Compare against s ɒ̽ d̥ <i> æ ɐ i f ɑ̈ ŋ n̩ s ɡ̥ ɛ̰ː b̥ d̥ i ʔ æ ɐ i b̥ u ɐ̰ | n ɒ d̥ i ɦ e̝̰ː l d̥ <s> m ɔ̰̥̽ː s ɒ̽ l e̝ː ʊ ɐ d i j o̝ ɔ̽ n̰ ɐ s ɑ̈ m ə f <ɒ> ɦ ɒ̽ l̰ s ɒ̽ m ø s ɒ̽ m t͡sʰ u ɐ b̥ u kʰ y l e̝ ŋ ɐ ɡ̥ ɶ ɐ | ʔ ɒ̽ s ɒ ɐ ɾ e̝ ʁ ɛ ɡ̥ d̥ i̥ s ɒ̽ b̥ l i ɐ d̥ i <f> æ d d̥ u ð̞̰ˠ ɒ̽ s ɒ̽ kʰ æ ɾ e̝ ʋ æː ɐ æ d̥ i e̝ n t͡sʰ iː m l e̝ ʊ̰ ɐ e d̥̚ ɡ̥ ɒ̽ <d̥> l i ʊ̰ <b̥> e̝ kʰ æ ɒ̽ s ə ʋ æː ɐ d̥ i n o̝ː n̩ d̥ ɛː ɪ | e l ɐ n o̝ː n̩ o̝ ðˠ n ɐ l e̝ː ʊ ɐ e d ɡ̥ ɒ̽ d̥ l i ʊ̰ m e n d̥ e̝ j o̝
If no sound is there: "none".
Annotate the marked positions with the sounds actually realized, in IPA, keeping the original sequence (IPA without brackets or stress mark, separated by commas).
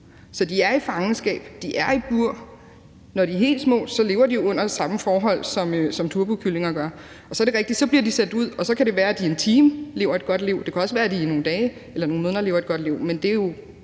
i, s, ɒː, s, d̥, d̥